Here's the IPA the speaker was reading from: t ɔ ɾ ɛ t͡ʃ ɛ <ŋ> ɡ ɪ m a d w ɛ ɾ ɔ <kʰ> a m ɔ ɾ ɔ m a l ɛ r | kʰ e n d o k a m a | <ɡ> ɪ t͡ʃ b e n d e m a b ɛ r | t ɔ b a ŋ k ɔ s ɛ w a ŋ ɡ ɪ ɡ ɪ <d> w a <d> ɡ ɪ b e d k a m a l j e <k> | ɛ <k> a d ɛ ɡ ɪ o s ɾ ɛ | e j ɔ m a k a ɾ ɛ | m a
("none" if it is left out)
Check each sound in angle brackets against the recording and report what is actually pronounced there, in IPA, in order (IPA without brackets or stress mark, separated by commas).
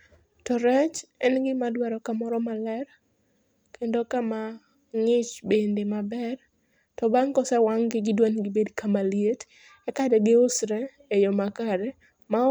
n, k, ŋ, d, n, t, k